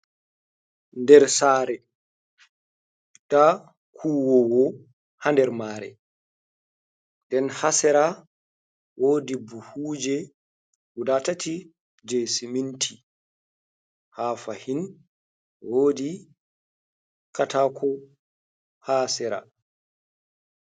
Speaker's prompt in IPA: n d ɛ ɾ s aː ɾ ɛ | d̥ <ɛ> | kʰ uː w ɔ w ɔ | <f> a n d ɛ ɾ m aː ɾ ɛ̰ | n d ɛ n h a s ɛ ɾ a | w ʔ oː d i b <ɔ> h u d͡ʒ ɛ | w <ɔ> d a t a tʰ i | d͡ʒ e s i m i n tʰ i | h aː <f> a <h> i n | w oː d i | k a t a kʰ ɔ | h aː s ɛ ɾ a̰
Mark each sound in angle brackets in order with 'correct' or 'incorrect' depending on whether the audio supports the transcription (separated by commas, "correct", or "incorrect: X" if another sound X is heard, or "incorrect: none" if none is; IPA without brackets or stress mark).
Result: incorrect: a, incorrect: h, incorrect: u, incorrect: u, correct, correct